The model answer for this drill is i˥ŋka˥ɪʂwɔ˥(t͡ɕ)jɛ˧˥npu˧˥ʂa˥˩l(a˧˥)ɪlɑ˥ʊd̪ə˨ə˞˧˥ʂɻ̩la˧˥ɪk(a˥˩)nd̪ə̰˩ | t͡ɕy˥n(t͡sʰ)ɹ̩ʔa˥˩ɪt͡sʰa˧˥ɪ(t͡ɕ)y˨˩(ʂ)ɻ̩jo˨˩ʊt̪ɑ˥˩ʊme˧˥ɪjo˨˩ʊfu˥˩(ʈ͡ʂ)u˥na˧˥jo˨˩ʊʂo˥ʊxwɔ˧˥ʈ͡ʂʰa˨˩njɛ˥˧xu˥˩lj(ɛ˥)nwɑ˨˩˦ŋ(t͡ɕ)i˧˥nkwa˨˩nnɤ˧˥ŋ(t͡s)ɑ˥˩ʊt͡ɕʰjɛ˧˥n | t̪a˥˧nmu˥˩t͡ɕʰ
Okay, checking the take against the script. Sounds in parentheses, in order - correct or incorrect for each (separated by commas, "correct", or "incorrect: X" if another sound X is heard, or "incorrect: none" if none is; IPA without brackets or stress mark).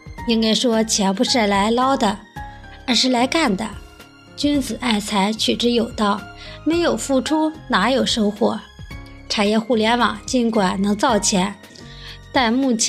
incorrect: t͡ɕʰ, correct, correct, incorrect: t͡s, incorrect: t͡ɕʰ, incorrect: ʈ͡ʂ, incorrect: ʈ͡ʂʰ, incorrect: ɛ˧˥, correct, correct